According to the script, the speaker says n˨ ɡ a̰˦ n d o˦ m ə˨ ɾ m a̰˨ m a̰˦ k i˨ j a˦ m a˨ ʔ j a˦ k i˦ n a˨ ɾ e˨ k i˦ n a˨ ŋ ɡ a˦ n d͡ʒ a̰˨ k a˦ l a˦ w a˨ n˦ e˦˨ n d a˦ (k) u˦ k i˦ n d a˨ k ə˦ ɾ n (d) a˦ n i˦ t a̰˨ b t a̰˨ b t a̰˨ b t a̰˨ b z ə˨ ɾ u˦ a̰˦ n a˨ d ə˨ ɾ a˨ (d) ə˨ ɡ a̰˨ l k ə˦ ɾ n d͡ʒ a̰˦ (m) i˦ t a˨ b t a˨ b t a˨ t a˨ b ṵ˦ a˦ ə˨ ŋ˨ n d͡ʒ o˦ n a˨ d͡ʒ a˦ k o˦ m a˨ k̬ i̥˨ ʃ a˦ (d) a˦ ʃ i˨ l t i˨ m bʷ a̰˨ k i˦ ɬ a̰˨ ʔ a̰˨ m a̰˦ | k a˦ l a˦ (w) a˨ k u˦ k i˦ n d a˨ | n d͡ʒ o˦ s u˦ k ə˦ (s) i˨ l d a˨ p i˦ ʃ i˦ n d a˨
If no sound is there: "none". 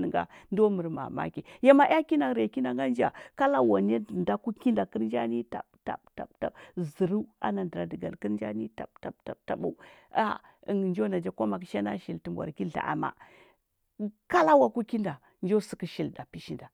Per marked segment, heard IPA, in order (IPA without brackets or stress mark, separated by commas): k, d͡ʒ, d, n, n, w, ʃ